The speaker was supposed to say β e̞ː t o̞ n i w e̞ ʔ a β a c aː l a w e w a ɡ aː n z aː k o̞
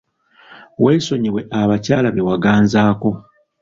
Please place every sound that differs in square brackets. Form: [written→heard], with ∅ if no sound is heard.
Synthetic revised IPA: [β→w] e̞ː [t→s] o̞ [n→ɲ] i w e̞ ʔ a β a c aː l a [w→β] e w a ɡ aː n z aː k o̞

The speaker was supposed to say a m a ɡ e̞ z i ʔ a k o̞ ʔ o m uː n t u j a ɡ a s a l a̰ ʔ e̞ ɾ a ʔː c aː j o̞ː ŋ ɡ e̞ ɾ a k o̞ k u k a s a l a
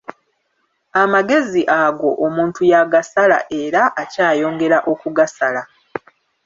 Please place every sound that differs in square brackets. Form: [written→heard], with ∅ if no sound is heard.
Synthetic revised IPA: a m a ɡ e̞ z i ʔ a [k→ɡ] o̞ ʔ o m uː n t u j a ɡ a s a l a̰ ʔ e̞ ɾ a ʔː c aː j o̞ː ŋ ɡ e̞ ɾ a [k→ʔ] o̞ k u [k→ɡ] a s a l a

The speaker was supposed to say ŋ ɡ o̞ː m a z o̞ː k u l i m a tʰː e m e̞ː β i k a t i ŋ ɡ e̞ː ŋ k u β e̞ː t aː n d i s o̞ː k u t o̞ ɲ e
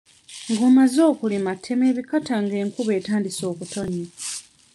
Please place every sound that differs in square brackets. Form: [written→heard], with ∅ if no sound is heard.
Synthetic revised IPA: ŋ ɡ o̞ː m a z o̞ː k u l i m a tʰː e m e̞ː β i k a t [i→a] ŋ ɡ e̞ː ŋ k u β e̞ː t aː n d i s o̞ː k u t o̞ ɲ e

